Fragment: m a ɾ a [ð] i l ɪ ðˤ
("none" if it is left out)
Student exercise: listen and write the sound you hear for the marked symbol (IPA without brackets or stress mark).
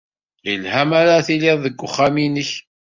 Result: θ